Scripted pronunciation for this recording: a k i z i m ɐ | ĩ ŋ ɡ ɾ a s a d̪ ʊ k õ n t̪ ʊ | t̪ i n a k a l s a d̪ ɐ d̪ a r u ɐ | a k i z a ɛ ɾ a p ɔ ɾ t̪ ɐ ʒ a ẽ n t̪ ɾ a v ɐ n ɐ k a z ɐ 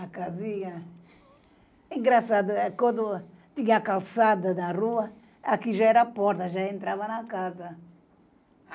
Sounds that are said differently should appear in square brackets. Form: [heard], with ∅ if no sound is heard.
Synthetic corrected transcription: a k [a] z i [ɲ] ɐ | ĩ ŋ ɡ ɾ a s a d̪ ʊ k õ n [d̪] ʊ | t̪ i [ɲ] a k a l s a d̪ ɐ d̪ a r u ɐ | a k i [ʒ] a ɛ ɾ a p ɔ ɾ t̪ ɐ ʒ a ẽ n t̪ ɾ a v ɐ n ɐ k a z ɐ